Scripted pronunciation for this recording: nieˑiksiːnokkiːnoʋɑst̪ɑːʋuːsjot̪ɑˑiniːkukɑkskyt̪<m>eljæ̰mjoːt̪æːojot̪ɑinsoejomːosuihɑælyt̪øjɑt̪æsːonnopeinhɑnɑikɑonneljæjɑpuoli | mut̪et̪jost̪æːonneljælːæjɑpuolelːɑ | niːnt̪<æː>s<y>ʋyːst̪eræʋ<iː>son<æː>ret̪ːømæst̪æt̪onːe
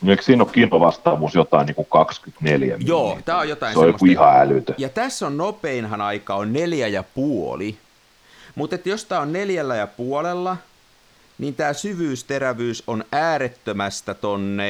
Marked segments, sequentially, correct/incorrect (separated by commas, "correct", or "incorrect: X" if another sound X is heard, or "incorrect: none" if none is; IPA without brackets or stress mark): incorrect: n, correct, correct, incorrect: yː, correct